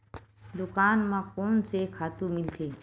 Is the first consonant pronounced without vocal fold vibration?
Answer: no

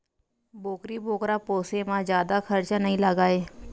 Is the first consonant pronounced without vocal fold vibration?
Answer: no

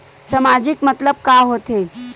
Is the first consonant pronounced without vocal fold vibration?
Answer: yes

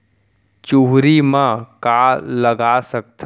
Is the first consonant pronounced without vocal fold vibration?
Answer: yes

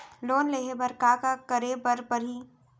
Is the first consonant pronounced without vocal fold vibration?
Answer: no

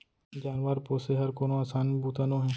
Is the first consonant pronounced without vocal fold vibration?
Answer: no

